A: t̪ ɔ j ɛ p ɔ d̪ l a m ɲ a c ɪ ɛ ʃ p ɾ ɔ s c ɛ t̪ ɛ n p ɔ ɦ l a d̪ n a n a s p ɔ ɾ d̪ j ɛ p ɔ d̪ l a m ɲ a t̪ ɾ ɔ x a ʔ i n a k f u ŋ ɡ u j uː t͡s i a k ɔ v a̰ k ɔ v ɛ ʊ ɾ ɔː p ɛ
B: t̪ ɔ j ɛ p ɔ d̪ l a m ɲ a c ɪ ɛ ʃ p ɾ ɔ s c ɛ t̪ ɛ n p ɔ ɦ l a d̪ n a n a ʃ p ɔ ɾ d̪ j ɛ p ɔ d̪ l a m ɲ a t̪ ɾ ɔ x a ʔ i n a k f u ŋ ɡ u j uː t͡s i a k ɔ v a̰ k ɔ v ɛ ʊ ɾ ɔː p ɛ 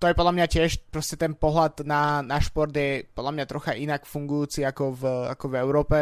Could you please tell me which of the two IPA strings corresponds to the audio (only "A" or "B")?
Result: B